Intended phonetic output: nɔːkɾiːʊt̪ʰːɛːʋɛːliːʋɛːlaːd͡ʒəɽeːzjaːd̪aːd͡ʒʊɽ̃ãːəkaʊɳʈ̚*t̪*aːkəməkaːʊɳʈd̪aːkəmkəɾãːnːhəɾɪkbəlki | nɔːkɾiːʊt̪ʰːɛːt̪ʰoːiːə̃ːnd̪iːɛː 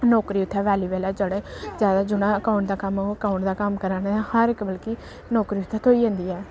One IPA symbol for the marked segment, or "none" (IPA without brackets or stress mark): d̪